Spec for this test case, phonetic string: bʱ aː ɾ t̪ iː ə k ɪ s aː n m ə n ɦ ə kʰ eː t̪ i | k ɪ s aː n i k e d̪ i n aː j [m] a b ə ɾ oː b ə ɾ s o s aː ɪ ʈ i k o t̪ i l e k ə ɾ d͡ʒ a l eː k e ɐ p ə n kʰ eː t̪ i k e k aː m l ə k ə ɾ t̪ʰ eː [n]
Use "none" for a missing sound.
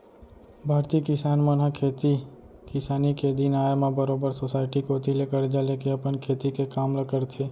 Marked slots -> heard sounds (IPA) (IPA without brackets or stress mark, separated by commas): m, none